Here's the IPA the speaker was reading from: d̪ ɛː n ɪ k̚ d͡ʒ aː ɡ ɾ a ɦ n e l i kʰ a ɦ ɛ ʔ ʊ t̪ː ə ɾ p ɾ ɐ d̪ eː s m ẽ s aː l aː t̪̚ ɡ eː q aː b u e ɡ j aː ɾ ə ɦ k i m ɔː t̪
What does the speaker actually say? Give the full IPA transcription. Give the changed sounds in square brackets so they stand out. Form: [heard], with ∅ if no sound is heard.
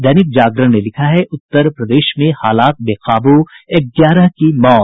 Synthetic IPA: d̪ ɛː n ɪ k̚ d͡ʒ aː ɡ ɾ [ə] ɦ n e l [ɪ] kʰ a ɦ ɛ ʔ ʊ t̪ː ə ɾ p ɾ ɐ d̪ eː [ʃ] m ẽ [h] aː l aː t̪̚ [b] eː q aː b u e ɡ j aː ɾ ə ɦ k i m ɔː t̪